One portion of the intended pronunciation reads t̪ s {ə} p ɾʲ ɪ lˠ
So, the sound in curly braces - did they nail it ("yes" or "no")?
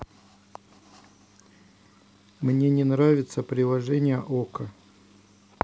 yes